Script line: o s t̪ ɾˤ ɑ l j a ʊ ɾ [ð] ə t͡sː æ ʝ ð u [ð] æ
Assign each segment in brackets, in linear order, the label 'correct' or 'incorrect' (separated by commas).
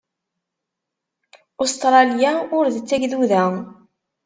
correct, correct